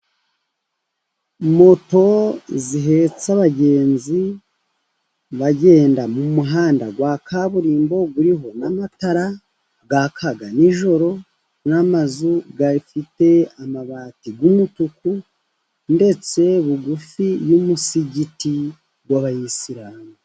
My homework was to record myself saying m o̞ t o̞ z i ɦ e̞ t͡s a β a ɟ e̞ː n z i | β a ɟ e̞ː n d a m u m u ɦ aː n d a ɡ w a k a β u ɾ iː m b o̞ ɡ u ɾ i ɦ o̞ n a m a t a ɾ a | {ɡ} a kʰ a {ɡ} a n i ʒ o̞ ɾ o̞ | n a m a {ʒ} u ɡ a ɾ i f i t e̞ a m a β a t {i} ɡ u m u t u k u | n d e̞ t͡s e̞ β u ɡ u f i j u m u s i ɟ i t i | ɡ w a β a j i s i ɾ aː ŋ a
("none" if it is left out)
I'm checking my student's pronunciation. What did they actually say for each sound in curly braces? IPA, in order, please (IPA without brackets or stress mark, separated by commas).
ɡ, ɡ, z, i